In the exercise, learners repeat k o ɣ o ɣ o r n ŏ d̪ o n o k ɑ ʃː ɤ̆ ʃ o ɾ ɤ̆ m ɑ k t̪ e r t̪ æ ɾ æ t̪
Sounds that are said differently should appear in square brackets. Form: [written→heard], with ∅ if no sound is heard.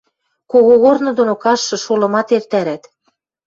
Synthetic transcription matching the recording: k o ɣ o ɣ o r n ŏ d̪ o n o k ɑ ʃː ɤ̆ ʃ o [ɾ→l] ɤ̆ m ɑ [k→∅] t̪ e r t̪ æ ɾ æ t̪